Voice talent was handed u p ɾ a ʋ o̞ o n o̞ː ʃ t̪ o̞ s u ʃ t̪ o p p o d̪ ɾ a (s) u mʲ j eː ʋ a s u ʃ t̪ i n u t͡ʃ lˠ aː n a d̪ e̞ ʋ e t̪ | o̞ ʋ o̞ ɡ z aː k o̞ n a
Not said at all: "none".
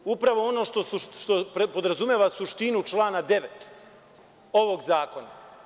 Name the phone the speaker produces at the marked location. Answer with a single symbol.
z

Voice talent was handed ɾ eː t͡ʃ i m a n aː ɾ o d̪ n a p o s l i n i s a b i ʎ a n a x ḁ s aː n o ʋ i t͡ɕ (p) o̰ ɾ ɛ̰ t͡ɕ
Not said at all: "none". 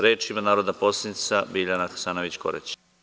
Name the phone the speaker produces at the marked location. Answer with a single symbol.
k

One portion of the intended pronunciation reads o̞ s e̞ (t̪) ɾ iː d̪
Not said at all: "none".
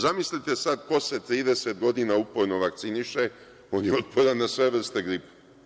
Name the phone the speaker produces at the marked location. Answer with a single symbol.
t̪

